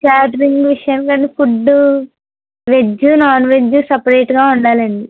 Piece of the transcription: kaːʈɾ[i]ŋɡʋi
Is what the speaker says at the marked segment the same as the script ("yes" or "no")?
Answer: yes